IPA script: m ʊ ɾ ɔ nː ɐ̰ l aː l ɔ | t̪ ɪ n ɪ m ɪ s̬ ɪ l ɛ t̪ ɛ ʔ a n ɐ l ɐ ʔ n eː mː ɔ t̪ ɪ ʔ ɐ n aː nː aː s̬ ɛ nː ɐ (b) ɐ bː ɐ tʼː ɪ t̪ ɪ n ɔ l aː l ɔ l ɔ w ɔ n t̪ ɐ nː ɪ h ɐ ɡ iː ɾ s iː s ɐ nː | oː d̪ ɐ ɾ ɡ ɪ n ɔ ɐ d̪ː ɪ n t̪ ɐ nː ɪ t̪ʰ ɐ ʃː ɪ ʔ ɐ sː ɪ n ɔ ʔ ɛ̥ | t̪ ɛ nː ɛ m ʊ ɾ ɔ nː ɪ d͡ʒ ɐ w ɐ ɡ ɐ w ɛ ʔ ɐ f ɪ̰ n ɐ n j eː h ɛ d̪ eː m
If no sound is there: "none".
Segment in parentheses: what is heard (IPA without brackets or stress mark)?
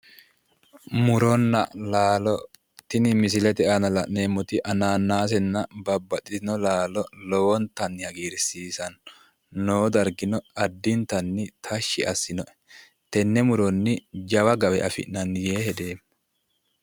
b